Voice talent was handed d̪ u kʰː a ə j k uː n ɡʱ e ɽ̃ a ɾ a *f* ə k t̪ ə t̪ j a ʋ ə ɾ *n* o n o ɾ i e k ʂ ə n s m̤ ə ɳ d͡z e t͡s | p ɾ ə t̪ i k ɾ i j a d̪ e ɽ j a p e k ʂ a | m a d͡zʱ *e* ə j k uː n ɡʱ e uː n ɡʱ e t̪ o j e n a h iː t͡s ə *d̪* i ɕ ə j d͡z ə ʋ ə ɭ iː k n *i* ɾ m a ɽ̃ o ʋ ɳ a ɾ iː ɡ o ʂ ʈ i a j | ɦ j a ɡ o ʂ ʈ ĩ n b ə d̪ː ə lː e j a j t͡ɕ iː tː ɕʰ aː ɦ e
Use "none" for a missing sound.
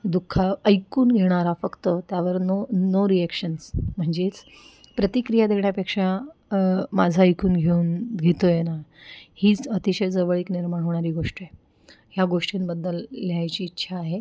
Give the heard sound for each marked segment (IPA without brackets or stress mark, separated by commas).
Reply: f, n, a, t̪, i